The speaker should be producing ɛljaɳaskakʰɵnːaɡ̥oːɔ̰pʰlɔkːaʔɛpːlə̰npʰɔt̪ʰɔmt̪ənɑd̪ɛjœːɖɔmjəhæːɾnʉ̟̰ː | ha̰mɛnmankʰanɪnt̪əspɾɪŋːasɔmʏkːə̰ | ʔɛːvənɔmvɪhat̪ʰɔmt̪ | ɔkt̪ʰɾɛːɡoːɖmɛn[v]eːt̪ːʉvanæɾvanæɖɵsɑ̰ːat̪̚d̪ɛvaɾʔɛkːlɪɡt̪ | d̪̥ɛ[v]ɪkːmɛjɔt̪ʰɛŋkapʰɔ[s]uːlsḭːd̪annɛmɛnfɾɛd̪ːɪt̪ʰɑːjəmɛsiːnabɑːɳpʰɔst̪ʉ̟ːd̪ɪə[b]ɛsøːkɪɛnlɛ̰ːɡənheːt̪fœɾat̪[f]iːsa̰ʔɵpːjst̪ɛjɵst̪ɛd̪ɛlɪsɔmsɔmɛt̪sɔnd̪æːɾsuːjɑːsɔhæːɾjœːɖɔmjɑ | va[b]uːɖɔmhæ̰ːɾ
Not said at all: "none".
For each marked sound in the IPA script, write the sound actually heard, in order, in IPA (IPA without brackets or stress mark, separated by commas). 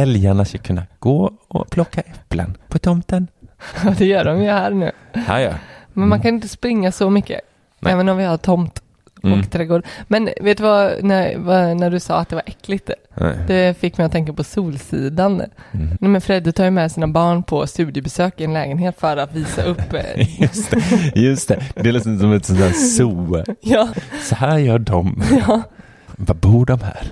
v, f, s, b, v, b